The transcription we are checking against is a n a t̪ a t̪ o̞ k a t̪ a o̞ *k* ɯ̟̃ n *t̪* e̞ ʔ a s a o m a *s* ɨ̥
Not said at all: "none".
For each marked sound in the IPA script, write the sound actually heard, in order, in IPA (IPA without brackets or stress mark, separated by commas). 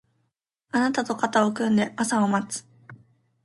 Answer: k, d̪, t͡s